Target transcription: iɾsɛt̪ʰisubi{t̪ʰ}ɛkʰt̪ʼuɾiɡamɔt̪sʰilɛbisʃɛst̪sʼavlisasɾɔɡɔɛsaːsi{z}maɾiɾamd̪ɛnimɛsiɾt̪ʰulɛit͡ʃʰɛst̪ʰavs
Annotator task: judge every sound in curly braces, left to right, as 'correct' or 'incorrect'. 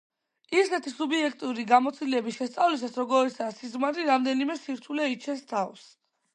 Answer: incorrect: none, correct

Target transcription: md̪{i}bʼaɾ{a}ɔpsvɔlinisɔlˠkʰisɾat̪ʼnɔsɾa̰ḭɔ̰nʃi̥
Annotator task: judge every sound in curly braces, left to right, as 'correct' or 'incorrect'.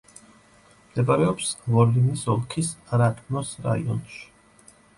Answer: incorrect: ɛ, incorrect: ɛ

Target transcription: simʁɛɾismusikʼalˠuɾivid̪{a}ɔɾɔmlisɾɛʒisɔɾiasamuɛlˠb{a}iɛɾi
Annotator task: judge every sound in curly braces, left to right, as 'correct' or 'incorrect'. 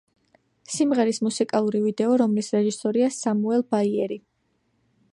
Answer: incorrect: ɛ, correct

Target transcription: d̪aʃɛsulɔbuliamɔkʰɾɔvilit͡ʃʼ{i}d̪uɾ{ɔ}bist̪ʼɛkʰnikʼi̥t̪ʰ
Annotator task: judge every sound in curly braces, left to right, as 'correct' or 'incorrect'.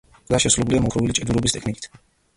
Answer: incorrect: ɛ, correct

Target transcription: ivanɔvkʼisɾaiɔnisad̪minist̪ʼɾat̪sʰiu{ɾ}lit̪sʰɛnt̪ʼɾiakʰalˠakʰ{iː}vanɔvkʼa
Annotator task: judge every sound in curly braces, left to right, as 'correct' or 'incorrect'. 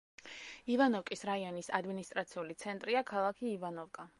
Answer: incorrect: none, correct

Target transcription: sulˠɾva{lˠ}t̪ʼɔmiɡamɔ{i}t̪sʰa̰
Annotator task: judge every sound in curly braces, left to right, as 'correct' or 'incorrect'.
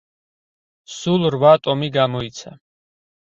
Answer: incorrect: none, correct

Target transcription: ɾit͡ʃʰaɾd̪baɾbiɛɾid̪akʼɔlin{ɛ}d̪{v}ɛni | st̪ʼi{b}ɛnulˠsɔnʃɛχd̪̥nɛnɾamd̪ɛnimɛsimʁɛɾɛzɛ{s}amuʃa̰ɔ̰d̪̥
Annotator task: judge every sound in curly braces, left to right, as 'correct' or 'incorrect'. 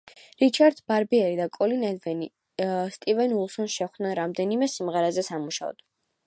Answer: correct, correct, incorrect: v, correct

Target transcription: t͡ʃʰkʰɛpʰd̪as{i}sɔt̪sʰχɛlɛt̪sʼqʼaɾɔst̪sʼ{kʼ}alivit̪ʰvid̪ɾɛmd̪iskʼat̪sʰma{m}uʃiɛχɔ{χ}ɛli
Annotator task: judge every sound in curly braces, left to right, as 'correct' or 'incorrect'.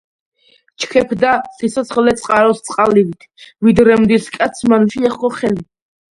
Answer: correct, incorrect: qʼ, incorrect: n, correct

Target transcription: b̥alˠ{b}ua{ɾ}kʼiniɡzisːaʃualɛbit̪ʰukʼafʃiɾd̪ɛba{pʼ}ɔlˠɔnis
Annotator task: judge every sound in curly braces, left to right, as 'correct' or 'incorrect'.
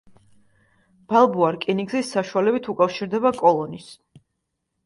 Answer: correct, correct, incorrect: kʼ

